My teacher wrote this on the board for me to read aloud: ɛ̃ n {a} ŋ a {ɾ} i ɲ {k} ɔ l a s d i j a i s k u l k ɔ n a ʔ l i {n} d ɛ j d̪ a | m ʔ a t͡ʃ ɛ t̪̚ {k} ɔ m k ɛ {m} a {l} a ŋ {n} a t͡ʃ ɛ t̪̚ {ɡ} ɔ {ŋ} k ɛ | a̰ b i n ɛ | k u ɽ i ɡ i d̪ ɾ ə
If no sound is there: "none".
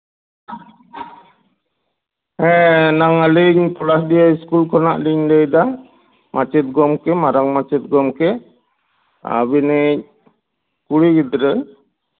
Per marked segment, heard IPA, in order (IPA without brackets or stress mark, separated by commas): a, l, p, ɲ, ɡ, m, ɾ, m, ɡ, m